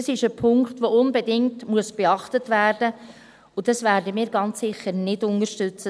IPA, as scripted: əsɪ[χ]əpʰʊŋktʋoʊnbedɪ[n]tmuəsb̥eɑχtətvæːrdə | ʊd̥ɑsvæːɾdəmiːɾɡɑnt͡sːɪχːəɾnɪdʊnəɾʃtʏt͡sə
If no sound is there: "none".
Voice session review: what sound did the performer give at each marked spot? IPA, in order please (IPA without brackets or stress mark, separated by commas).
ʃ, ŋ